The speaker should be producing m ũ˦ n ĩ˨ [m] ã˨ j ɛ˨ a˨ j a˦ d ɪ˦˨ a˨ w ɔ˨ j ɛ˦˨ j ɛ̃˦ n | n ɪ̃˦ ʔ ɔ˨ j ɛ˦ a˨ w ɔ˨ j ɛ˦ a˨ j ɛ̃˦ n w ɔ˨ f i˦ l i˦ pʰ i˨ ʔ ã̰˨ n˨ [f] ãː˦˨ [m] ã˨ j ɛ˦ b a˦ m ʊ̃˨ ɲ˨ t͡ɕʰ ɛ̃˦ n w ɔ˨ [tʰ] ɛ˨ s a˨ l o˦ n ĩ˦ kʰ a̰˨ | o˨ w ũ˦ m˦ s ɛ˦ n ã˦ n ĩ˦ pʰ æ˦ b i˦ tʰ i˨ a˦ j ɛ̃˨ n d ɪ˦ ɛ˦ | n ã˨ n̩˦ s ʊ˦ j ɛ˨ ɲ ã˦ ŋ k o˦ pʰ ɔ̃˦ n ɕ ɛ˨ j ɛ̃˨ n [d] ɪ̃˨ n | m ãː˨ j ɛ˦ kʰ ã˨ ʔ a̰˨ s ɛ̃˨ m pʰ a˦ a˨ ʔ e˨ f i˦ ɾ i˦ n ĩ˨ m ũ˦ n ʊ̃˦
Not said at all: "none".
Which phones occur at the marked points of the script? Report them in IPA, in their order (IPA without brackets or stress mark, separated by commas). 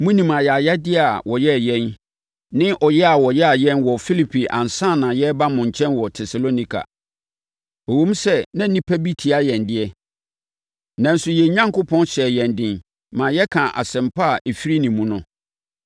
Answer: m, s, n, tʰ, d